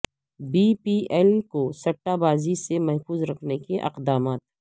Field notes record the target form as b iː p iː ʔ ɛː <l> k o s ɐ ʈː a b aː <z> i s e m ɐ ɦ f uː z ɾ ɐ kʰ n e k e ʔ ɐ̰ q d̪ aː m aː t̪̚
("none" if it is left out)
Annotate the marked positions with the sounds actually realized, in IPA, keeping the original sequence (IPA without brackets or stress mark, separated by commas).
l, z